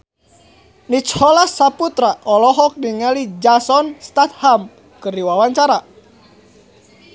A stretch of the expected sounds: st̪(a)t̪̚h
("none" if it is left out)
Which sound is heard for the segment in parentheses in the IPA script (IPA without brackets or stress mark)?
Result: a